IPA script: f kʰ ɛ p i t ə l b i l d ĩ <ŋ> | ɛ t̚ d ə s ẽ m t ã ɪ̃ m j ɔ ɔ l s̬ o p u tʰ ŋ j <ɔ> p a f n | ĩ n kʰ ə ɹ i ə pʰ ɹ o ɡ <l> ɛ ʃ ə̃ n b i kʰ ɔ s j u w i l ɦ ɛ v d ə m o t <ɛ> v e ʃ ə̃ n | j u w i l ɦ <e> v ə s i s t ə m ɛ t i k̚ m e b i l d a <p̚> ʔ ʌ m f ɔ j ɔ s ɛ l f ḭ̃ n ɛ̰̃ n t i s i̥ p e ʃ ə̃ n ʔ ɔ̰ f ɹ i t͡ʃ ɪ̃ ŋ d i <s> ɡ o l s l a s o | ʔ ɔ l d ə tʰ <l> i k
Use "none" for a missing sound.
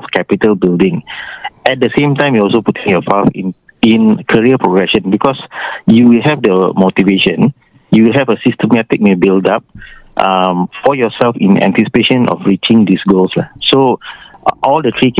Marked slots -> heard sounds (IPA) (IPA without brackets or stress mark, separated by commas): ŋ, ɔ, ɹ, i, ɛ, p̚, s, ɹ